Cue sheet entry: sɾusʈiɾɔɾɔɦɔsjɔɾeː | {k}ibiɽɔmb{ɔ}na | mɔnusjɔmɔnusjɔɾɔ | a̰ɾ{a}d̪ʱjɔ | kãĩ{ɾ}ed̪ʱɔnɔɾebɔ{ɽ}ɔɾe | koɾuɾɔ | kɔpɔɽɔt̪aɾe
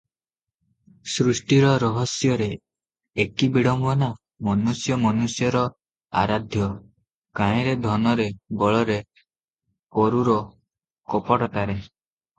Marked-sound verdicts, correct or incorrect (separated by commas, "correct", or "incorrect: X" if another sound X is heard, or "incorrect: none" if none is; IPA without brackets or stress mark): correct, correct, correct, correct, incorrect: ɭ